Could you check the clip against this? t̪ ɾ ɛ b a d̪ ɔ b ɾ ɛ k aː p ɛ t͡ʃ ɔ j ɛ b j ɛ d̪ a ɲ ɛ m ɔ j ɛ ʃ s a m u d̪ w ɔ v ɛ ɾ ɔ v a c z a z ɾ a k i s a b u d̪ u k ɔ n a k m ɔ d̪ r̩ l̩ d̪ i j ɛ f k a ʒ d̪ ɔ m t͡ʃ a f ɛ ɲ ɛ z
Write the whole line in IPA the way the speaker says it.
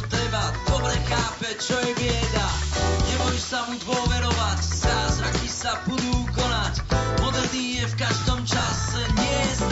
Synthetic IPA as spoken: t̪ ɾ ɛ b a d̪ ɔ b ɾ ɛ x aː p ɛ t͡ʃ ɔ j ɛ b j ɛ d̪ a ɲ ɛ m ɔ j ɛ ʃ s a m u d̪ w ɔ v ɛ ɾ ɔ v a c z a z ɾ a k i s a b u d̪ u k ɔ n a c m ɔ d̪ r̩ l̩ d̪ i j ɛ f k a ʒ d̪ ɔ m t͡ʃ a s ɛ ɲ ɛ z